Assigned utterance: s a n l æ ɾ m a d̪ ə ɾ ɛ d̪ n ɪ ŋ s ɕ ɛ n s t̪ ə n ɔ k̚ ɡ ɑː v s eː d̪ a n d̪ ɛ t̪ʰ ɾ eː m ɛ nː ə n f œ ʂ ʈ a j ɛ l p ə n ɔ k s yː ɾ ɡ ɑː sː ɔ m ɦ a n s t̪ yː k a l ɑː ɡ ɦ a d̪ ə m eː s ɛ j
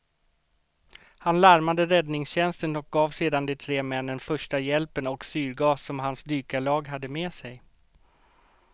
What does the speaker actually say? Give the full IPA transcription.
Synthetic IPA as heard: h a n l æ ɾ m a d̪ ə ɾ ɛ d̪ n ɪ ŋ s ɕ ɛ n s t̪ ə n ɔ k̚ ɡ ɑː v s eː d̪ a n d̪ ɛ t̪ʰ ɾ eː m ɛ nː ə n f œ ʂ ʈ a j ɛ l p ə n ɔ k s yː ɾ ɡ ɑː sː ɔ m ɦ a n s d̪ yː k a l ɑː ɡ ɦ a d̪ː ə m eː s ɛ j